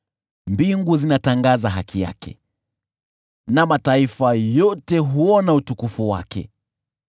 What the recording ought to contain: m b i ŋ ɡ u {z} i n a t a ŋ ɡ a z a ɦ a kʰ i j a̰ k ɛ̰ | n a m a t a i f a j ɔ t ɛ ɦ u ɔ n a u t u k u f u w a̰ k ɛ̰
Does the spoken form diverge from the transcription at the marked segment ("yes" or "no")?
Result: no